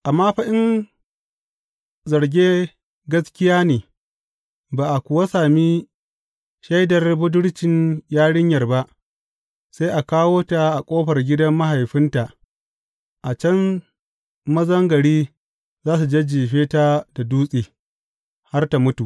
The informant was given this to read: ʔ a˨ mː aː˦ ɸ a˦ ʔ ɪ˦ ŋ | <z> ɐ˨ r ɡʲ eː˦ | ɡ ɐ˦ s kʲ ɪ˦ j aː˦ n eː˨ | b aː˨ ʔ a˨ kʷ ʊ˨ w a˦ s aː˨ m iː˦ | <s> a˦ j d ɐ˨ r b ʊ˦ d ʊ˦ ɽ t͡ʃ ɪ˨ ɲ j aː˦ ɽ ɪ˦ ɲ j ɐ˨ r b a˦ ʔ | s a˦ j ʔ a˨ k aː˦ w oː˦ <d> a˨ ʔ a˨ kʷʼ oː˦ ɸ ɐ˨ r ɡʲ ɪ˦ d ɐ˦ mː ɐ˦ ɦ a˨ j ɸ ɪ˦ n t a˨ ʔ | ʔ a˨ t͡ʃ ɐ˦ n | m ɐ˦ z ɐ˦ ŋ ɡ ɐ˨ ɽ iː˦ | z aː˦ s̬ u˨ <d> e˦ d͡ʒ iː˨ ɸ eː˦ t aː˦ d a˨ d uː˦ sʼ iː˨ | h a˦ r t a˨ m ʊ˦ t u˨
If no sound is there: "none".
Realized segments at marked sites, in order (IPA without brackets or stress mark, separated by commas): z, ʃ, t, d͡ʒ